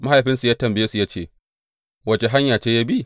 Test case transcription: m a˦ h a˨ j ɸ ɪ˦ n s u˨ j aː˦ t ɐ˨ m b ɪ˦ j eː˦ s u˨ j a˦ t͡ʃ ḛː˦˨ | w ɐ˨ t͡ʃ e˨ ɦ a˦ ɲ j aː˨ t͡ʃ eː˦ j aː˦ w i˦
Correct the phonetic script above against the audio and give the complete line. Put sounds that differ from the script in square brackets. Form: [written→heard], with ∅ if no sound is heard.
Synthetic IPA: m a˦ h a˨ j ɸ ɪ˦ n s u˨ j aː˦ t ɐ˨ m b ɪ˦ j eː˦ s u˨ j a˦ t͡ʃ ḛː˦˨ | w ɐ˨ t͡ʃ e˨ ɦ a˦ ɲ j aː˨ t͡ʃ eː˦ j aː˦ [w→b] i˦